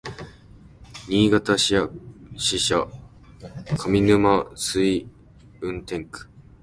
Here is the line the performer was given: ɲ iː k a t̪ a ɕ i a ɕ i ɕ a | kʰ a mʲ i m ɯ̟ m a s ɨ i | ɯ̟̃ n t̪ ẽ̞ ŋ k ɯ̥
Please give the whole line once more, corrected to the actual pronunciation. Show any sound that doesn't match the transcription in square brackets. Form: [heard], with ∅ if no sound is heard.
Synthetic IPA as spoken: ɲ iː [ɡ] a t̪ a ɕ i a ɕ i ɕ a | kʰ a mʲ i [n] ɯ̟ m a s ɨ i | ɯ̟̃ n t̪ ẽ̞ ŋ k ɯ̥